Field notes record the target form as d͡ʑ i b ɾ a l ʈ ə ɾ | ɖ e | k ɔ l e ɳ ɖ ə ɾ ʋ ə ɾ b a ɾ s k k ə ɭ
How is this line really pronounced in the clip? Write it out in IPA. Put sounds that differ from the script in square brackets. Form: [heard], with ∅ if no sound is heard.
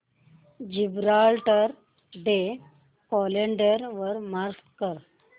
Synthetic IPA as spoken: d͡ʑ i b ɾ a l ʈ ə ɾ | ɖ e | k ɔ l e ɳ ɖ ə ɾ ʋ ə ɾ [m] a ɾ s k k ə [ɾ]